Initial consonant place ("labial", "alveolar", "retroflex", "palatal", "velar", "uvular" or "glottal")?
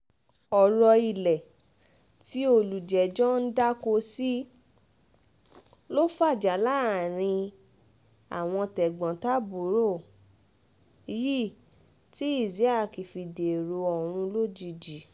alveolar